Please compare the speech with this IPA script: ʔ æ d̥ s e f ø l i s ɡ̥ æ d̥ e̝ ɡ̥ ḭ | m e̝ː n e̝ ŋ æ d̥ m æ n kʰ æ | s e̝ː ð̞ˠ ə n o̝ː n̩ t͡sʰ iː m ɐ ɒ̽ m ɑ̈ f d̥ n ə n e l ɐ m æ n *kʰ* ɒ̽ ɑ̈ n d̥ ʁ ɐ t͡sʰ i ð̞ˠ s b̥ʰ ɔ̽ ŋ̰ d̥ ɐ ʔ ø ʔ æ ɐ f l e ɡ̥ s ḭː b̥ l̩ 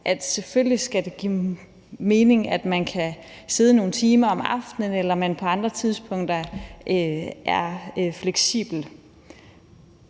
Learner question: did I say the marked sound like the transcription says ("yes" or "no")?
no